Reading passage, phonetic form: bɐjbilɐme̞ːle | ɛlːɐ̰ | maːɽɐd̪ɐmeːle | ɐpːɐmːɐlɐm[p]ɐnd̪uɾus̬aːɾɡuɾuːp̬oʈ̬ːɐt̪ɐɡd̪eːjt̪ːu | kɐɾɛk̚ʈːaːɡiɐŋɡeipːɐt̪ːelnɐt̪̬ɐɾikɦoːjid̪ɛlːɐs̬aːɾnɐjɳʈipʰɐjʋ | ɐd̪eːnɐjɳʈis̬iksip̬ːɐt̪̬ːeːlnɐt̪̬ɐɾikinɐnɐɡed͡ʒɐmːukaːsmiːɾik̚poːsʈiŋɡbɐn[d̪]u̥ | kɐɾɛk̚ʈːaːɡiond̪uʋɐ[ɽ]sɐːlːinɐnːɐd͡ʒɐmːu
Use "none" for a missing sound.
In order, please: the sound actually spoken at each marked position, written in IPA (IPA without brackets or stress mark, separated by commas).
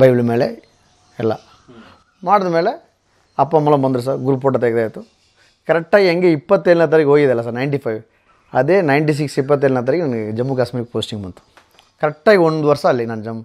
b, t̪, ɾ